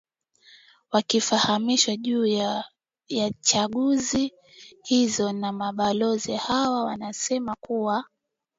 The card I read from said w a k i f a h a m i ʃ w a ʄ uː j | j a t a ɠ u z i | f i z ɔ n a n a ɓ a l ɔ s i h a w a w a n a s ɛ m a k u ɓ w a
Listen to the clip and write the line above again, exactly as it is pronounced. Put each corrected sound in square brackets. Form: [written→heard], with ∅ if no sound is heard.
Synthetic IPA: w a k i f a h a m i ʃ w a ʄ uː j | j a [t→t͡ʃ] a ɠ u z i | [f→h] i z ɔ n a [n→m] a ɓ a l ɔ [s→z] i h a w a w a n a s ɛ m a k u [ɓ→∅] w a